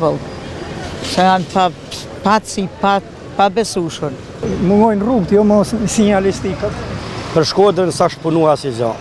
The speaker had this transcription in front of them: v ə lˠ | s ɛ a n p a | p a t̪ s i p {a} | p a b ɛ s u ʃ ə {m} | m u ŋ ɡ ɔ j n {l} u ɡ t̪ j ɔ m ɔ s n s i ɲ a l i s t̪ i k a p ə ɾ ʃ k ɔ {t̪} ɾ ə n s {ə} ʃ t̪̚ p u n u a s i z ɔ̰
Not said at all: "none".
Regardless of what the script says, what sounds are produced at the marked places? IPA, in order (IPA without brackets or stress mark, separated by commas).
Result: a, n, r, d̪, a